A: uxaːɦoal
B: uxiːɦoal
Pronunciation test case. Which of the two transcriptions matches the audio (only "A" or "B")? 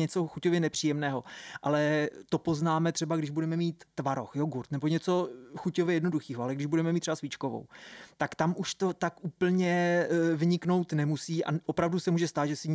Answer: B